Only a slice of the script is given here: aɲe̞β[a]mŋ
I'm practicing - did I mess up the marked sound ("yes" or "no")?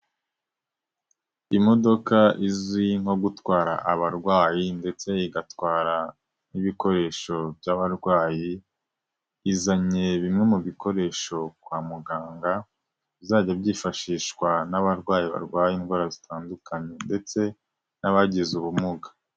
yes